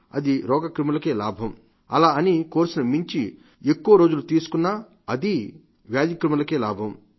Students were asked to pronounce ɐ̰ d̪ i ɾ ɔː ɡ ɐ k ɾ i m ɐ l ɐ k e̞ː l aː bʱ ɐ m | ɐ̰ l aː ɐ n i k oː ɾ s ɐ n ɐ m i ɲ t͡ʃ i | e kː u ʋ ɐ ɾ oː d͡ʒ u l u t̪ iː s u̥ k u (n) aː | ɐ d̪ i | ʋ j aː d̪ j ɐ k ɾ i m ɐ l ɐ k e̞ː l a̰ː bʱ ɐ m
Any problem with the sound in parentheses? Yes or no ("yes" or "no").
yes